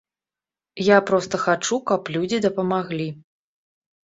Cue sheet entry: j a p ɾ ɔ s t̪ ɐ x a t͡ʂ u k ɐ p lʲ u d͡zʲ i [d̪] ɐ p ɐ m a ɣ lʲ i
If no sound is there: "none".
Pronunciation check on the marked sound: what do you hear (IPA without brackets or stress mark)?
d̪